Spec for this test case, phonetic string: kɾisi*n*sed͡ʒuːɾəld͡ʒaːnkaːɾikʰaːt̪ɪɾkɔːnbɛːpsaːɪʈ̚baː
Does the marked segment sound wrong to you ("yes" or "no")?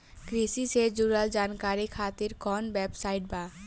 yes